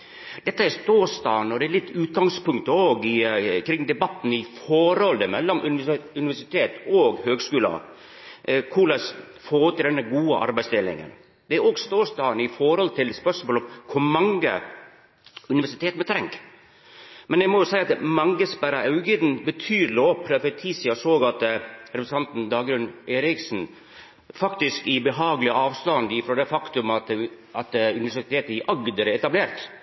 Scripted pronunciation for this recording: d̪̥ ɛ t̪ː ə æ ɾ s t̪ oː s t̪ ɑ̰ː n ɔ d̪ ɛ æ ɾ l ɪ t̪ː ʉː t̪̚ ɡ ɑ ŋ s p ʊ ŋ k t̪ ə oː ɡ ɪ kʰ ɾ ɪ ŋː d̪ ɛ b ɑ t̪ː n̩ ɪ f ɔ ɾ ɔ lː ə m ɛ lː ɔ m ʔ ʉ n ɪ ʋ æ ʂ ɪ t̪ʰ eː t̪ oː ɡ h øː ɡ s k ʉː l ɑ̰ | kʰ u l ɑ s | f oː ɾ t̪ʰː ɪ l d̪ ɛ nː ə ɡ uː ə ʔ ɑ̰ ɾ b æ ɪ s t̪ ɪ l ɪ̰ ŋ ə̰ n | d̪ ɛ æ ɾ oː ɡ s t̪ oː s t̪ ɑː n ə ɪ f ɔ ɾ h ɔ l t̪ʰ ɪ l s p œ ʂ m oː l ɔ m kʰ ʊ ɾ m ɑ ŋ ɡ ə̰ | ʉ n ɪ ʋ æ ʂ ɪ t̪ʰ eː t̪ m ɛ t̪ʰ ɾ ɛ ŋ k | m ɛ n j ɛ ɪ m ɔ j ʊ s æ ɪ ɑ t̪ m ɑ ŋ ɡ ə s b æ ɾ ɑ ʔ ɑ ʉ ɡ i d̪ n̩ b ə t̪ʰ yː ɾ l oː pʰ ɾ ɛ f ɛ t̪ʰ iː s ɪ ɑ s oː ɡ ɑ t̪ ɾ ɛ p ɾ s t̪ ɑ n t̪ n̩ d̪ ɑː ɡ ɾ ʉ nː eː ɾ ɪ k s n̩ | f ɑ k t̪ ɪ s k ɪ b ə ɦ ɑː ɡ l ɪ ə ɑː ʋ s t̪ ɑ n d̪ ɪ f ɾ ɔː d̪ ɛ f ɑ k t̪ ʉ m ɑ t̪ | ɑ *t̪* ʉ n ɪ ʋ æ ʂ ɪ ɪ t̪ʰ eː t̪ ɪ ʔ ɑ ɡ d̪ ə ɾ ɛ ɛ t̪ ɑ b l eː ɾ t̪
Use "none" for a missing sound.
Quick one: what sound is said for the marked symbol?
t̪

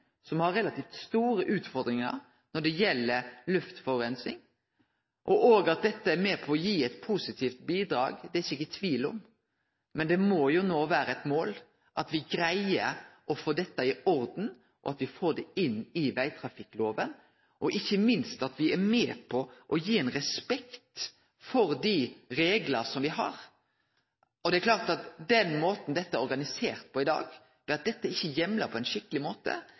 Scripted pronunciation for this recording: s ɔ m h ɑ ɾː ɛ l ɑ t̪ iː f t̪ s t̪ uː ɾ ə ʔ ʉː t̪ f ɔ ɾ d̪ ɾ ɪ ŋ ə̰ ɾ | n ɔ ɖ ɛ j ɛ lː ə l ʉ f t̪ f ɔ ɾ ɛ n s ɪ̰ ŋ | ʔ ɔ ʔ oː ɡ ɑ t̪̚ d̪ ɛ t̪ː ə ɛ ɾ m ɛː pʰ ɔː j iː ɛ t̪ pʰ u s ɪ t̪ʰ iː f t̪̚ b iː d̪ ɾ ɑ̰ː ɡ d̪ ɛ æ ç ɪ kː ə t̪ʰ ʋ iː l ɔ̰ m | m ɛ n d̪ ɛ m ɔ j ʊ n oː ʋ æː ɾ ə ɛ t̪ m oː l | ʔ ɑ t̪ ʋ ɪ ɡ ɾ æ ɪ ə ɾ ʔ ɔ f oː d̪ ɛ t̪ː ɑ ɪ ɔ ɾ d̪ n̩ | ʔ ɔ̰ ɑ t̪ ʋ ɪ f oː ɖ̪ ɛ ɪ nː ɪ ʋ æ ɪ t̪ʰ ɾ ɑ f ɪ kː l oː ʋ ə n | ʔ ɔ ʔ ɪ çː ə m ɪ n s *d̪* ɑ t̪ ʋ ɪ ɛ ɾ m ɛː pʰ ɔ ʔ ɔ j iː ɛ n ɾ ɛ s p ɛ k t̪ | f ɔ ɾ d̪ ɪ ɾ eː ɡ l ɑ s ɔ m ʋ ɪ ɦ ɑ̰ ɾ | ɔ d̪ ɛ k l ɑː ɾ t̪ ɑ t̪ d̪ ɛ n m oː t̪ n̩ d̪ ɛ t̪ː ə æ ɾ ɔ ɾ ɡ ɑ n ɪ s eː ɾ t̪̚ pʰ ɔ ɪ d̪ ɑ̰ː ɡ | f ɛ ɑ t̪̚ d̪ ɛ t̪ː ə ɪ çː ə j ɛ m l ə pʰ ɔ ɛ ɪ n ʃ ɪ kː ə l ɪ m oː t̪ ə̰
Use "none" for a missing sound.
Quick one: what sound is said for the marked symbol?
t̪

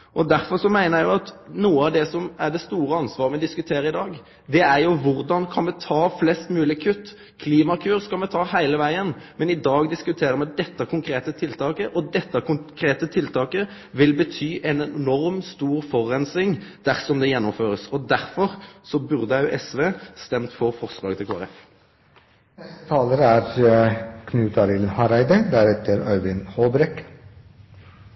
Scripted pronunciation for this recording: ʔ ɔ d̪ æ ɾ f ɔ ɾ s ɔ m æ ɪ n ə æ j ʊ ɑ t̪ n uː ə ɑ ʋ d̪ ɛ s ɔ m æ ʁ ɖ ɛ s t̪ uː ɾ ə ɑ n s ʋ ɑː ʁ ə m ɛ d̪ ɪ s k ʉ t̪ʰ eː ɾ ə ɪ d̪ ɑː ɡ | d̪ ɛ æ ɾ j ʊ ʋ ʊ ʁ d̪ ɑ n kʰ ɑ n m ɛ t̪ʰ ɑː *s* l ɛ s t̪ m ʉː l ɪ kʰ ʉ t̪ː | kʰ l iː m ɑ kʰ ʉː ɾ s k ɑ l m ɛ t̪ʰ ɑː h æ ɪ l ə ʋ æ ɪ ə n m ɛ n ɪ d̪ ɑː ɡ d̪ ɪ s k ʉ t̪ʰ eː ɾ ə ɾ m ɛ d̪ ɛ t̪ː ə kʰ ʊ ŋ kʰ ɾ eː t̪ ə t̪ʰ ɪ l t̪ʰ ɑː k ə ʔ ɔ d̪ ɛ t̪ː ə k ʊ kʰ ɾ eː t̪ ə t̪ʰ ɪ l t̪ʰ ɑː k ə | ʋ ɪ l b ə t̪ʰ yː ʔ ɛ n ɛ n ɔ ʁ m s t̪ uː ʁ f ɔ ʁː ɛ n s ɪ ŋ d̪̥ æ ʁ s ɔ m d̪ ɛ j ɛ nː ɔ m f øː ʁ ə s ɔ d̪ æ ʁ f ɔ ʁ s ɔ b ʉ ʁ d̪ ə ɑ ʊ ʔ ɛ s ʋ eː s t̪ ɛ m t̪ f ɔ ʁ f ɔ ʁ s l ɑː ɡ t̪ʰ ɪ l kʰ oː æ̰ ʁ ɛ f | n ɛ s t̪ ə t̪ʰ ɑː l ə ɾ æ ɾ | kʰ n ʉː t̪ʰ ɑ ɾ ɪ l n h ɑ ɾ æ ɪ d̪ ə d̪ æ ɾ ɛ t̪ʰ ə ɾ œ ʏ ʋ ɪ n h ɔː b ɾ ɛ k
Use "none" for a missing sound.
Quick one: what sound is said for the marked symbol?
f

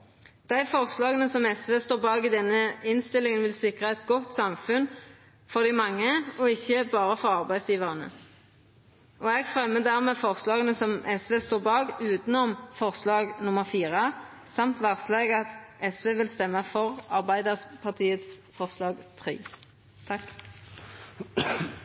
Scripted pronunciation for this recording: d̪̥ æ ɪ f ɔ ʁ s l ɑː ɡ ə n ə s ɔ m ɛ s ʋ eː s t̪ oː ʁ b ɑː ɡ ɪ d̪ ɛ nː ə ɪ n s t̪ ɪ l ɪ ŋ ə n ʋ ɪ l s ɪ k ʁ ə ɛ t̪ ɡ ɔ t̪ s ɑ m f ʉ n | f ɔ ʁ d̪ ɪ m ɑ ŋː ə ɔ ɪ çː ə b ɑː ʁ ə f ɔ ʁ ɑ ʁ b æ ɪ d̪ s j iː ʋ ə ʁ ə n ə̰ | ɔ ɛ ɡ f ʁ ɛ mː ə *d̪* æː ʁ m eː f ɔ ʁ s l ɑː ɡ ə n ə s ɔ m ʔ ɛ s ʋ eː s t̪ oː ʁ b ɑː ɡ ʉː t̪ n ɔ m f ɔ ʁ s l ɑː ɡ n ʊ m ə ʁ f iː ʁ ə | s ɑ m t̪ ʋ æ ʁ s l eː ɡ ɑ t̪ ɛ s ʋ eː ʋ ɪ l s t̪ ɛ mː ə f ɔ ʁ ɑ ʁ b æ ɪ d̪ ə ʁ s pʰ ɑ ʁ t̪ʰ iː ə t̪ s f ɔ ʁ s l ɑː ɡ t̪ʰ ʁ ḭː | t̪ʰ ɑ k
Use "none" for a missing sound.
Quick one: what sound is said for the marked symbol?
d̪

